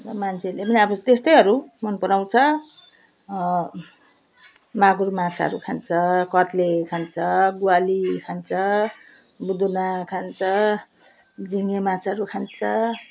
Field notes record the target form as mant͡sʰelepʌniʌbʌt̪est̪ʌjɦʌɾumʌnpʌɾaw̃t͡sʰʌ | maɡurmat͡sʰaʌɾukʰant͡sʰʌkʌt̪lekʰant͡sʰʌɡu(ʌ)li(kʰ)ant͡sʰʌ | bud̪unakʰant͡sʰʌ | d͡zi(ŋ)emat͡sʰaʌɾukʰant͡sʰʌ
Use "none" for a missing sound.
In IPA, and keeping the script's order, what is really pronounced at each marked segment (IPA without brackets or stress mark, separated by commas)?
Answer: a, kʰ, ŋ